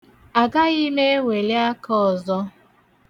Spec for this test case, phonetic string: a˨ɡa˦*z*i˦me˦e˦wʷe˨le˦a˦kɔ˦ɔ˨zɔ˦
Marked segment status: incorrect: ɣ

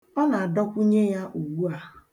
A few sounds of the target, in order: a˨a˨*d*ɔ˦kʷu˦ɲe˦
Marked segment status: correct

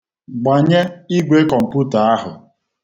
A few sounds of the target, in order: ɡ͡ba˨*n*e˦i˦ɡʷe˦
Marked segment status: incorrect: ɲ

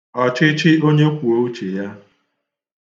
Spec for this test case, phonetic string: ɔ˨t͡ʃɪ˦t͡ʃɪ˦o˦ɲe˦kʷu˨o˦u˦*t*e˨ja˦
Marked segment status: incorrect: t͡ʃ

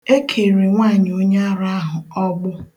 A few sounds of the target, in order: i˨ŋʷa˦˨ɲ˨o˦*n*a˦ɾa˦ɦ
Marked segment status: incorrect: ɲ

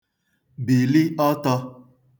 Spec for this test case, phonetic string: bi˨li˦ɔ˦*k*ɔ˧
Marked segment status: incorrect: t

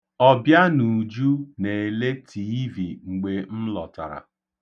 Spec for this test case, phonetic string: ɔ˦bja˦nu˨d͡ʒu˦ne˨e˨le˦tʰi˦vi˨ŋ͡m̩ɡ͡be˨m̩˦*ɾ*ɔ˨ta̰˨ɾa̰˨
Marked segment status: incorrect: l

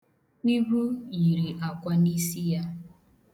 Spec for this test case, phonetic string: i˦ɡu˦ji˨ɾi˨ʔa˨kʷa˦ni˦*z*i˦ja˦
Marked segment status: incorrect: s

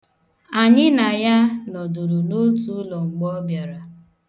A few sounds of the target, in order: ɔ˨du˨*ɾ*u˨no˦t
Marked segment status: correct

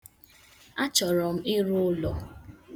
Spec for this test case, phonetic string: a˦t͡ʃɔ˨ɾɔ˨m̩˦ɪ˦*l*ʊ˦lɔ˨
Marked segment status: incorrect: ɾ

